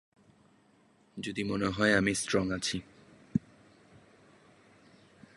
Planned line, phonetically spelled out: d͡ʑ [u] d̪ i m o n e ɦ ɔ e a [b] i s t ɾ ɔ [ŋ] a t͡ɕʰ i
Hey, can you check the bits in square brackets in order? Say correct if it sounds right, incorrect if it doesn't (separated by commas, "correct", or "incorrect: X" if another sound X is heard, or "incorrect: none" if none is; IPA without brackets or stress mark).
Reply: incorrect: o, incorrect: m, correct